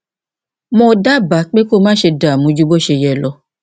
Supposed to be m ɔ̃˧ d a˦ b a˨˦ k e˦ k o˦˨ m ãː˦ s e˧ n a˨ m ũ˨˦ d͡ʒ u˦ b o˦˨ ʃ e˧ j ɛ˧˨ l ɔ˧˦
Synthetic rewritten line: m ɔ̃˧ d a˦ b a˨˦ k͡p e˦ k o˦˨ m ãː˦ ʃ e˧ d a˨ m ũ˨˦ d͡ʒ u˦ b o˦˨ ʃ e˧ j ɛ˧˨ l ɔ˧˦